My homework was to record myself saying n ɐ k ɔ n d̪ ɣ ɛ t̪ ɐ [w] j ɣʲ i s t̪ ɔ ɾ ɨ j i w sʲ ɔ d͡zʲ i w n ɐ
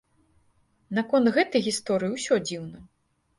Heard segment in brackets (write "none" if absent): none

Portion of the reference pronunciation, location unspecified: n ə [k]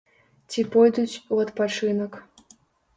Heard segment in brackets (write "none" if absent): k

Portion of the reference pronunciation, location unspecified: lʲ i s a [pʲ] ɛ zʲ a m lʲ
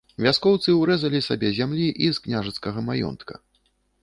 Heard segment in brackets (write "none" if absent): bʲ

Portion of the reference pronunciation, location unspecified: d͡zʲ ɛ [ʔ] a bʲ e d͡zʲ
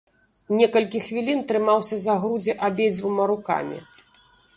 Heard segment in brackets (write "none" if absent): ʔ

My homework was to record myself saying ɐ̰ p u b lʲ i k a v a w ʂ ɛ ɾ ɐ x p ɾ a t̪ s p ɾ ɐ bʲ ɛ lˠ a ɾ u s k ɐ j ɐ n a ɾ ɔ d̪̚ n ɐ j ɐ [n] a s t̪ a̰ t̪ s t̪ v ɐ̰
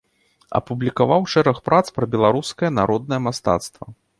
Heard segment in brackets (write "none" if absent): m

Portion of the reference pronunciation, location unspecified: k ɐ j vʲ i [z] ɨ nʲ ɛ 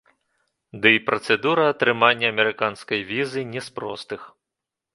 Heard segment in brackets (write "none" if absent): z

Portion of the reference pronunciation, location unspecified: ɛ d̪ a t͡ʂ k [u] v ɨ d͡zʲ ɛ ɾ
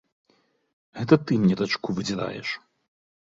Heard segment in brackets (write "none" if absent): u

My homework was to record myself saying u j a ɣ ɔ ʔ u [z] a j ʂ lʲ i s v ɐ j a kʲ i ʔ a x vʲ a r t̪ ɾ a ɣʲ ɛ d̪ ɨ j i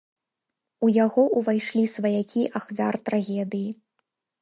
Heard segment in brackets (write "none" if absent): v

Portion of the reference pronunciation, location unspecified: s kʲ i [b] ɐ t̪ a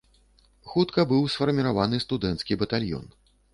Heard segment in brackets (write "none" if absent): b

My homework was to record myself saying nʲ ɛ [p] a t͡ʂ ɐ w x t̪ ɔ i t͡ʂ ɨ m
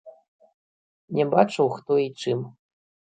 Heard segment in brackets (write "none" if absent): b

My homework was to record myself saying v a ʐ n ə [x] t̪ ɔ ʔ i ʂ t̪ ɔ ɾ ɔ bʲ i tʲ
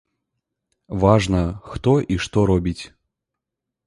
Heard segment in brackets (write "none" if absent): x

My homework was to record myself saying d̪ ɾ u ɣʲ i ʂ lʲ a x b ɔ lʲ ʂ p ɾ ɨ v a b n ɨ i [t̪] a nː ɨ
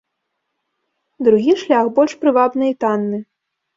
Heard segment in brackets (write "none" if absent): t̪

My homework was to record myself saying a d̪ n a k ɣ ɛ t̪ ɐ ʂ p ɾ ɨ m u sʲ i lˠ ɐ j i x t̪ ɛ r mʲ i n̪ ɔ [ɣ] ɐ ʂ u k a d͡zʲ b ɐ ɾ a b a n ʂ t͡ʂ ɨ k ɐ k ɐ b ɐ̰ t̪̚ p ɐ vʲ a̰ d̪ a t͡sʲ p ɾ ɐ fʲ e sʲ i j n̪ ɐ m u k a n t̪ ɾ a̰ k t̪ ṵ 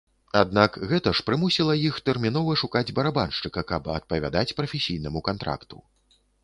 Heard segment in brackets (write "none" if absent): v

